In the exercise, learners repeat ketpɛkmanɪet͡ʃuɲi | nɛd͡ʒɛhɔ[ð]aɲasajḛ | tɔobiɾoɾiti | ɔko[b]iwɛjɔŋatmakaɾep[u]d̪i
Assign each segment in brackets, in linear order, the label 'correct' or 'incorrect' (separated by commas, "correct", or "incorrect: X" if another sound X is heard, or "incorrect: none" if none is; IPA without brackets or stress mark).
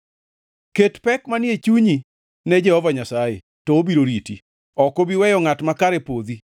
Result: incorrect: v, correct, incorrect: o